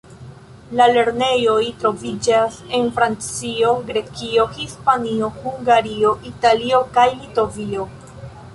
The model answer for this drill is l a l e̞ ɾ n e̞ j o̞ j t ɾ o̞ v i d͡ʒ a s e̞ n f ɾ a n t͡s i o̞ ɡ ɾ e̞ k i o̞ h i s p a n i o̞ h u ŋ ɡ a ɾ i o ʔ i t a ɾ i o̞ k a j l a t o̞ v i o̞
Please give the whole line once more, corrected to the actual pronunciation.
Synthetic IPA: l a l e̞ ɾ n e̞ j o̞ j t ɾ o̞ v i d͡ʒ a s e̞ n f ɾ a n t͡s i o̞ ɡ ɾ e̞ k i o̞ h i s p a n i o̞ h u ŋ ɡ a ɾ i o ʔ i t a l i o̞ k a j l i t o̞ v i o̞